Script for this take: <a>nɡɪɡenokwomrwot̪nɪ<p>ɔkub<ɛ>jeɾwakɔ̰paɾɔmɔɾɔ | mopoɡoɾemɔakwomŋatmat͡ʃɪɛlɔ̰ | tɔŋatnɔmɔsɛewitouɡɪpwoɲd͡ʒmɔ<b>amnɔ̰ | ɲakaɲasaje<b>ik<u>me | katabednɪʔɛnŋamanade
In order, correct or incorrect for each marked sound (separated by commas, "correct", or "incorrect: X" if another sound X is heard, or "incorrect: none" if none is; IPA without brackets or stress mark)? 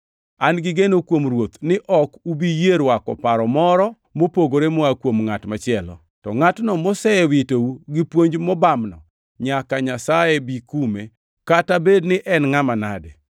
correct, incorrect: ʔ, incorrect: i, correct, correct, correct